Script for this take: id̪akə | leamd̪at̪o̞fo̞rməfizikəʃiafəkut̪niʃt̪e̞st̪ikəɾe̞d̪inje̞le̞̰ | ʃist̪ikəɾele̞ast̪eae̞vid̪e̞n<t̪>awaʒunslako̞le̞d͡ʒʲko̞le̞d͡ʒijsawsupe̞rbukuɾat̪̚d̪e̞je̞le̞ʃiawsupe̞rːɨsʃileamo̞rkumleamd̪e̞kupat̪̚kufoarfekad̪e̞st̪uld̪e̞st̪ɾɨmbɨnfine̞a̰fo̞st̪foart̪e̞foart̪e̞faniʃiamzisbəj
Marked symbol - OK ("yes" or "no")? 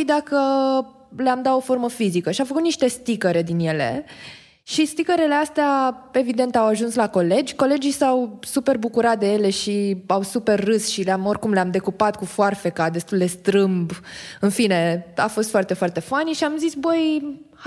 yes